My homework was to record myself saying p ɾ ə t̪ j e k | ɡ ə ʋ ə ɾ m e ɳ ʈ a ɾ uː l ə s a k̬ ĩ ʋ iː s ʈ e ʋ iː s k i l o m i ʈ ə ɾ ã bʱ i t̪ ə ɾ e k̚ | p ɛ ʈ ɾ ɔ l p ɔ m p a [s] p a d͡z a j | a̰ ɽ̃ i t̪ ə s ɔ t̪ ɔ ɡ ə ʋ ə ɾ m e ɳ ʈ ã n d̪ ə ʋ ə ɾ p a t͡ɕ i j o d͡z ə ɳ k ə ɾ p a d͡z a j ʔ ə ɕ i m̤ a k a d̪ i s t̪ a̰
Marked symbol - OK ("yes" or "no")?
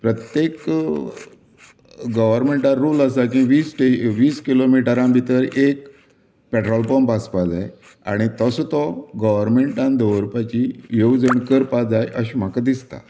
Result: yes